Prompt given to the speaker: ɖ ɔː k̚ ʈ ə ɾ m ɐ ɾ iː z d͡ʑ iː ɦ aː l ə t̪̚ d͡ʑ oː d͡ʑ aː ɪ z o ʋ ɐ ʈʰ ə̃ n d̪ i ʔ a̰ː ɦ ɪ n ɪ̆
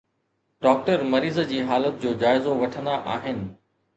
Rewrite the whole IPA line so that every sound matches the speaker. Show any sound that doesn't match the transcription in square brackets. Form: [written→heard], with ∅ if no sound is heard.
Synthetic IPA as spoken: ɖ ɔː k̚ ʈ ə ɾ m ɐ ɾ iː z d͡ʑ iː ɦ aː l ə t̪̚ d͡ʑ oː d͡ʑ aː ɪ z o ʋ ɐ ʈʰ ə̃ n d̪ [i→a] ʔ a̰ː ɦ ɪ n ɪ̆